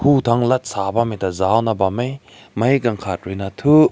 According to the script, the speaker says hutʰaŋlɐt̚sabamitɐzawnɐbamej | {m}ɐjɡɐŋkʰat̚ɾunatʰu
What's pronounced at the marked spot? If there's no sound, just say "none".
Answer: m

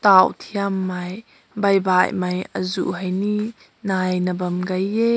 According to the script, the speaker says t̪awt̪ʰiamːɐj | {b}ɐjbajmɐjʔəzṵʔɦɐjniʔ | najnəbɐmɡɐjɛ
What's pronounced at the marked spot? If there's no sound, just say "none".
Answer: b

